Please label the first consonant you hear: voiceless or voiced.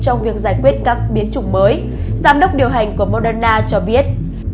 voiceless